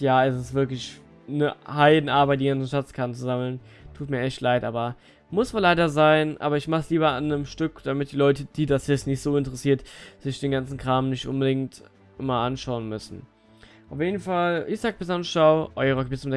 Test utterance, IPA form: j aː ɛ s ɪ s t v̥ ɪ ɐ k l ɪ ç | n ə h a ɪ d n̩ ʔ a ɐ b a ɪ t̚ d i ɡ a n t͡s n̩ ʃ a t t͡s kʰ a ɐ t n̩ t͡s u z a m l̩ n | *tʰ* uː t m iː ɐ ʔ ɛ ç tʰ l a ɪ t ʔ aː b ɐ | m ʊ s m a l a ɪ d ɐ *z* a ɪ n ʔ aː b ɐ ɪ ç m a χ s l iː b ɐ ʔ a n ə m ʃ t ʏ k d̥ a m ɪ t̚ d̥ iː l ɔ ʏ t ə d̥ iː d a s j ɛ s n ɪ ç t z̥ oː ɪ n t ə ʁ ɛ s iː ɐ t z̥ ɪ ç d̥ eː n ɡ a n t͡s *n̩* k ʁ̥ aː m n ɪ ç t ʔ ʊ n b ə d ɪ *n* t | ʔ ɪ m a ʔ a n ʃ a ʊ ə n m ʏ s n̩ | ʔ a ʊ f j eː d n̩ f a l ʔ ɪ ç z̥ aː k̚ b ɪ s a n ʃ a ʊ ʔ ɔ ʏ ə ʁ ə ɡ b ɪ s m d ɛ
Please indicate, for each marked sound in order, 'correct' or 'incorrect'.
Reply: correct, correct, correct, incorrect: ŋ

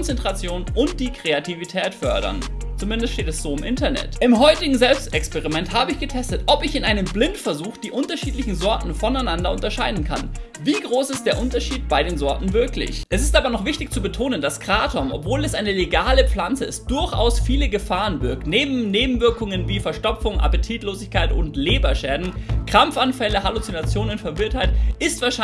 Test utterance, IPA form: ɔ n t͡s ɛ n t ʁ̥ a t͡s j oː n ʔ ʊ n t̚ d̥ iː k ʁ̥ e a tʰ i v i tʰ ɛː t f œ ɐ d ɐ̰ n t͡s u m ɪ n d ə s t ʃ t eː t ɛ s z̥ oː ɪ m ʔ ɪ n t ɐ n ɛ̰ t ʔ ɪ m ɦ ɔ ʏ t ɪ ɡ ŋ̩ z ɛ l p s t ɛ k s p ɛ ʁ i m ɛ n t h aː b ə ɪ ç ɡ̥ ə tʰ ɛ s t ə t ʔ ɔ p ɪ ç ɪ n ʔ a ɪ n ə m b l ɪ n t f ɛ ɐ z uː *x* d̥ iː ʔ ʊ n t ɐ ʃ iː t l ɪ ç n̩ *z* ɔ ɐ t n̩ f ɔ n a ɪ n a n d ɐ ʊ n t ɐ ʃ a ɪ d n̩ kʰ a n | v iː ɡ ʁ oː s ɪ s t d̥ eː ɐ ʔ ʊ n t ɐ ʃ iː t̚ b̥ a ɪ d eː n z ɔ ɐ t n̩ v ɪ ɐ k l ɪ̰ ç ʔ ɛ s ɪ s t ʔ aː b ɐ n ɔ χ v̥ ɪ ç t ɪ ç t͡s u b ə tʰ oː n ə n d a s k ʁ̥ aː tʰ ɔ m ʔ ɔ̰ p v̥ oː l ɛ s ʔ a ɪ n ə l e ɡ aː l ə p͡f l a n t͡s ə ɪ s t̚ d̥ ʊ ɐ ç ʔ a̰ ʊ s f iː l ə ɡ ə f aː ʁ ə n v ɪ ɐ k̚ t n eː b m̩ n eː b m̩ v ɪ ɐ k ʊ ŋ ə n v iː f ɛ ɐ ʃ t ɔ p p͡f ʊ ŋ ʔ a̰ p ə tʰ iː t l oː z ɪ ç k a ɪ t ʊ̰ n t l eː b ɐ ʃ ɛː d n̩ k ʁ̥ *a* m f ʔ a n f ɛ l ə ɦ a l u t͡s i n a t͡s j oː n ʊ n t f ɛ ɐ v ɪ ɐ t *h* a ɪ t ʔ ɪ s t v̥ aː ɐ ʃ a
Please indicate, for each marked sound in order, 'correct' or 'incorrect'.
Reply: correct, correct, correct, correct

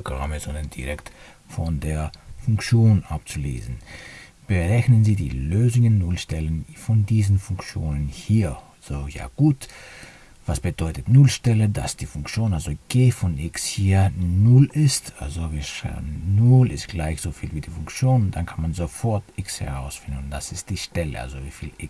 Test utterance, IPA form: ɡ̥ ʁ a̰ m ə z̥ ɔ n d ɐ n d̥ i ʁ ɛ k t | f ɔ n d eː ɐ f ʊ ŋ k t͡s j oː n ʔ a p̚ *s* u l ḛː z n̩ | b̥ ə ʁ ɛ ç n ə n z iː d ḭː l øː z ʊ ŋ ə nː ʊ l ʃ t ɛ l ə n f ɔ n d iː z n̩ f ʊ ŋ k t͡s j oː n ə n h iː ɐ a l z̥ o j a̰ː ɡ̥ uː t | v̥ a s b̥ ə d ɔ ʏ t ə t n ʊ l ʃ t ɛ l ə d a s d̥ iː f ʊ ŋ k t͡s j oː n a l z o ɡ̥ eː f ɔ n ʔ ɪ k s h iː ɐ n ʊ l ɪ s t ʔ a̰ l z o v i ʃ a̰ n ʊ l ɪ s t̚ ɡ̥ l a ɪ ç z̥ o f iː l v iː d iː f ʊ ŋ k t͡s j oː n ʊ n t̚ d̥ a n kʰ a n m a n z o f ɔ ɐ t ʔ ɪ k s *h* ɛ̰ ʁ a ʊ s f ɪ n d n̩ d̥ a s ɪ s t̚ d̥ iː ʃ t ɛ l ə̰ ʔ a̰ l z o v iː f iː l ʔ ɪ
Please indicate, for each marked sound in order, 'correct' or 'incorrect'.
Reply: incorrect: t͡s, correct

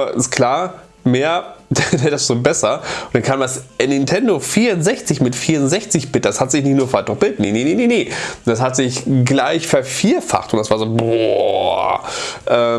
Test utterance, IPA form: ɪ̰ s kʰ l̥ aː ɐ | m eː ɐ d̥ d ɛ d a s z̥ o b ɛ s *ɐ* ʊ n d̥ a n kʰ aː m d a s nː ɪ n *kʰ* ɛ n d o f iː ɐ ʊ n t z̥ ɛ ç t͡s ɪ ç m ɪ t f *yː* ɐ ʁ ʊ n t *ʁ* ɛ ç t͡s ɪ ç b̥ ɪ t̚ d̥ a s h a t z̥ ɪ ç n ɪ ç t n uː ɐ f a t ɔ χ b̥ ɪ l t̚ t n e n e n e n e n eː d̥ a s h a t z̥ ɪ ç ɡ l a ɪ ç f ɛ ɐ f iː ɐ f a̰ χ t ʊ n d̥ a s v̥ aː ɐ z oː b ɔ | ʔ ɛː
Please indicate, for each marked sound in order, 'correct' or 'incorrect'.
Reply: correct, incorrect: tʰ, incorrect: iː, incorrect: z

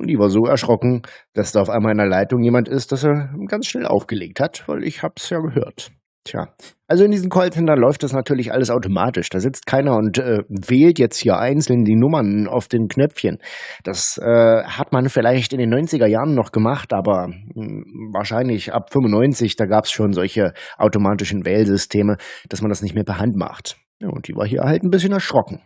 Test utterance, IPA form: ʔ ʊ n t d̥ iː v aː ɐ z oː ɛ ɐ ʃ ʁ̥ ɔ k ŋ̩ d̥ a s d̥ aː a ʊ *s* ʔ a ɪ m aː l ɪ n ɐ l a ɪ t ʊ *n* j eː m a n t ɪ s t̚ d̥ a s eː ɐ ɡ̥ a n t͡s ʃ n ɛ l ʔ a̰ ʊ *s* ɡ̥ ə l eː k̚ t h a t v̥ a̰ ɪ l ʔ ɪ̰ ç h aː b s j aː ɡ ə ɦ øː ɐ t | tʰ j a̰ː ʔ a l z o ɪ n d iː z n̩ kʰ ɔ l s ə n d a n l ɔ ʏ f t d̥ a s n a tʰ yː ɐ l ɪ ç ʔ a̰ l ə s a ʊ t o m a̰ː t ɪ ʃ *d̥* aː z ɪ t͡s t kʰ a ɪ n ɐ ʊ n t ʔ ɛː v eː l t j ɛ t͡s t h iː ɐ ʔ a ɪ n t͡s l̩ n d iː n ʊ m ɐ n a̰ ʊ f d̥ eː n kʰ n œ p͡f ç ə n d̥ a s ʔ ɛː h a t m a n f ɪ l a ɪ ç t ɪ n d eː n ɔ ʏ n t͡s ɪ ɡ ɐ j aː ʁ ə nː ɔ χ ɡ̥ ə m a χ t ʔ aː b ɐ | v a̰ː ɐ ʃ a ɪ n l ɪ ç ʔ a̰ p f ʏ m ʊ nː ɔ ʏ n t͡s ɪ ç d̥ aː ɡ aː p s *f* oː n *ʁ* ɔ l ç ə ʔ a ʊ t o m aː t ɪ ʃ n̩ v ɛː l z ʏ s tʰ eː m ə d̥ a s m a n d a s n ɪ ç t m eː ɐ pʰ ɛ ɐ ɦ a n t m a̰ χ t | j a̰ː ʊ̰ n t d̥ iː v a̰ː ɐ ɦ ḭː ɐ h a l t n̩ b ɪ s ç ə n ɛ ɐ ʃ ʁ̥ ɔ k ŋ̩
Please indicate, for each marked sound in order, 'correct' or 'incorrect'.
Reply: incorrect: f, incorrect: ŋ, incorrect: f, correct, incorrect: ʃ, incorrect: z

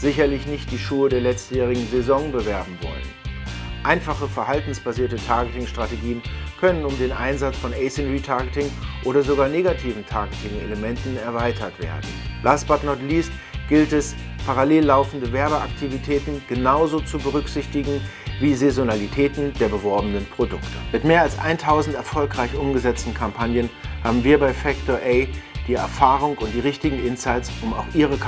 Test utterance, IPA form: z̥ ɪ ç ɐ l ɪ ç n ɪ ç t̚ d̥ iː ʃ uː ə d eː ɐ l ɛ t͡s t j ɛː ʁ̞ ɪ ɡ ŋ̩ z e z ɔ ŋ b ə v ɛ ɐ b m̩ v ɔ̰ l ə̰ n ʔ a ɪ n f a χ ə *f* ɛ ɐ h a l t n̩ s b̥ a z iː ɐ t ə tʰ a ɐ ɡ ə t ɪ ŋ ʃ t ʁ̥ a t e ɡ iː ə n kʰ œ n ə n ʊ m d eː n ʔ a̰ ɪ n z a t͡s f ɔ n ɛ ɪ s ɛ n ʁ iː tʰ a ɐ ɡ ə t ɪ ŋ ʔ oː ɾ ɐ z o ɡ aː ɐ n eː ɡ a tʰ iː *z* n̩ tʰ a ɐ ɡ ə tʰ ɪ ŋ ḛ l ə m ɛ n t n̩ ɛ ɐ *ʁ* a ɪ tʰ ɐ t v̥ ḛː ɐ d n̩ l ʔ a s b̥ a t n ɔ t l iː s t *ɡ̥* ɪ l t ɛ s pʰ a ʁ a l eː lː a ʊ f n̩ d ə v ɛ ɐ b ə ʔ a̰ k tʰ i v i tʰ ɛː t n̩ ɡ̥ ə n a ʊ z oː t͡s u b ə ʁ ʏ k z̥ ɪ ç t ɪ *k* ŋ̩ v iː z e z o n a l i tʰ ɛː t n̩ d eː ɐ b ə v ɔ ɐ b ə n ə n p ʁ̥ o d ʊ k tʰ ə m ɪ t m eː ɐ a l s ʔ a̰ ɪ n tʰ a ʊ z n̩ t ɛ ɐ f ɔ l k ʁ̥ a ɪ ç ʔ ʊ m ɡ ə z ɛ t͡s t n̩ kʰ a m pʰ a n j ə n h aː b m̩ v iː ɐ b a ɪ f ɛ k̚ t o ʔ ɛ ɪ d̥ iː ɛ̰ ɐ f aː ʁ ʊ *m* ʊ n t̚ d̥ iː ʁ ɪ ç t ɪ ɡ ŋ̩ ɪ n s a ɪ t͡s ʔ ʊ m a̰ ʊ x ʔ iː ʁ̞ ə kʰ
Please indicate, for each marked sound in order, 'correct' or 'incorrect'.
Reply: correct, incorrect: v, incorrect: v, correct, incorrect: ɡ, incorrect: ŋ

